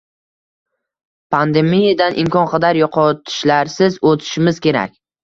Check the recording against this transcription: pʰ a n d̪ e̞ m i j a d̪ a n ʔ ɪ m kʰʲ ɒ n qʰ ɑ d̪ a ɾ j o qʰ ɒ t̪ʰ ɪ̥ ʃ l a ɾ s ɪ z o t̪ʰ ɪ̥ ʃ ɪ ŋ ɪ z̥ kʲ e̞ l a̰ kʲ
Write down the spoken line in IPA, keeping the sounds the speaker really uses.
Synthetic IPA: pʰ a n d̪ e̞ m i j a d̪ a n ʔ ɪ m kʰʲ ɒ n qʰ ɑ d̪ a ɾ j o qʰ ɒ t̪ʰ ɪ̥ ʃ l a ɾ s ɪ z o t̪ʰ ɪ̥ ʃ ɪ m ɪ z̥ kʲ e̞ ɾ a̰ kʲ